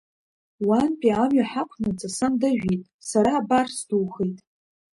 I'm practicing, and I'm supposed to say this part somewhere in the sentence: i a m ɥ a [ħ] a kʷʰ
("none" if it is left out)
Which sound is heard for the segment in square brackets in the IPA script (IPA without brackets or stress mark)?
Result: ħ